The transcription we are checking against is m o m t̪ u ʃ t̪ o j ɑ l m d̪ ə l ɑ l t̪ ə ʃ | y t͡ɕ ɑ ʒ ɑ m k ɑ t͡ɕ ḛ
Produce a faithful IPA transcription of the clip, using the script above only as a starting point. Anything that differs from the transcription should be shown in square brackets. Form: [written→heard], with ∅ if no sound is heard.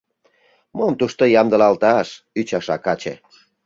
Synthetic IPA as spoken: m o m t̪ u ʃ t̪ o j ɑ [l→∅] m d̪ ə l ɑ l t̪ [ə→ɑ] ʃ | y t͡ɕ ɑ [ʒ→ʃ] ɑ [m→∅] k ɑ t͡ɕ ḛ